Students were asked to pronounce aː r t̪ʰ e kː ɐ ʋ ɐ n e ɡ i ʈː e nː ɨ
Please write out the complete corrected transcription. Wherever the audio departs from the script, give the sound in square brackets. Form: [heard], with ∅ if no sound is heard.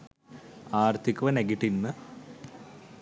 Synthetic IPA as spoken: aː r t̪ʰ [i] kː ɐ ʋ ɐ n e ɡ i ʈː [i] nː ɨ